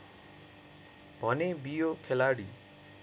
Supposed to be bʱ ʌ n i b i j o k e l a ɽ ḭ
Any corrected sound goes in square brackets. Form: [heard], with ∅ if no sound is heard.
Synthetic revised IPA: bʱ ʌ n [e] b i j o [kʰ] e l a ɽ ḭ